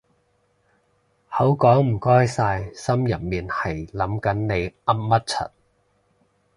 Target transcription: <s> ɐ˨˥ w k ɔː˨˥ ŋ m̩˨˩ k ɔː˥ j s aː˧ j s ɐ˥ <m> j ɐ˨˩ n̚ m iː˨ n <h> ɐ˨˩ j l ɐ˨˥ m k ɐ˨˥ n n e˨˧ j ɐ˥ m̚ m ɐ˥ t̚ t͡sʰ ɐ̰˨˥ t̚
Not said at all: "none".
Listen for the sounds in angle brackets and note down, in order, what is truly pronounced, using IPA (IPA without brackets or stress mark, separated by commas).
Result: h, m, h